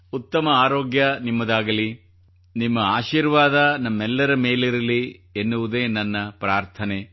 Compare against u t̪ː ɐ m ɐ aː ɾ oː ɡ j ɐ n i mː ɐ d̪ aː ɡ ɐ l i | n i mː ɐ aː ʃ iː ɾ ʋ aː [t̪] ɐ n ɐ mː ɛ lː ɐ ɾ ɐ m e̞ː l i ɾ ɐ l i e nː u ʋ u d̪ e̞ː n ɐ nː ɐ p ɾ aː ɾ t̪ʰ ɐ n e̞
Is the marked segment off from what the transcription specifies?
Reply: yes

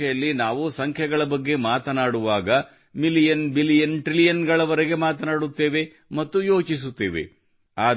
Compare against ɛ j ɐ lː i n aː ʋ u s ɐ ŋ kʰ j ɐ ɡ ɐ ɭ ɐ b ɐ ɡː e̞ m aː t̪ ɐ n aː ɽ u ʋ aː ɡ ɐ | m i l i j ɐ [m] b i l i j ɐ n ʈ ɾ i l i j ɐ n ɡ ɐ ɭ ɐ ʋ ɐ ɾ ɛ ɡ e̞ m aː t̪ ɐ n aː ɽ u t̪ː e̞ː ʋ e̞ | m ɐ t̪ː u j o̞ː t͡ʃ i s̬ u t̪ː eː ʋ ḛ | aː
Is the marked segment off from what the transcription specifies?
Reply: yes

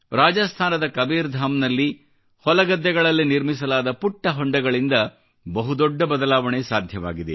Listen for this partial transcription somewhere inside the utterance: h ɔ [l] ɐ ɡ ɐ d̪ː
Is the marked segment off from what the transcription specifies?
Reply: no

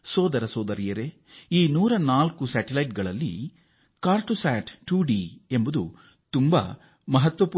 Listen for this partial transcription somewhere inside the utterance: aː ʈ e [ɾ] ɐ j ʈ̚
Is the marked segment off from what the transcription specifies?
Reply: yes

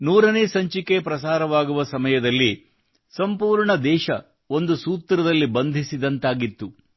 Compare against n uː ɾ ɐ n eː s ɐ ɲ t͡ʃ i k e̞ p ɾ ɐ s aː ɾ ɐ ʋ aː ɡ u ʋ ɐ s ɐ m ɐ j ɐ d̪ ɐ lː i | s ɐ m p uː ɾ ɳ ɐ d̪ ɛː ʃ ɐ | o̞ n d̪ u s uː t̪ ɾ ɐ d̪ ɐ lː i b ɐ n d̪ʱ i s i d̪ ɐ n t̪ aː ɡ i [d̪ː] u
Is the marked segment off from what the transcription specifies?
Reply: yes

